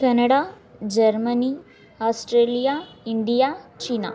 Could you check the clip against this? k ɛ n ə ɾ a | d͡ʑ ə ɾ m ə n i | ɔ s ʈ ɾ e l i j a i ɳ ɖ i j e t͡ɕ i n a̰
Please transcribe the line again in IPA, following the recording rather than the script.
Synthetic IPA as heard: k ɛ n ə ɽ a | d͡ʑ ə ɾ m ə n i | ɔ s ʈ ɾ e l i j a i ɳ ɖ i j a t͡ɕ i n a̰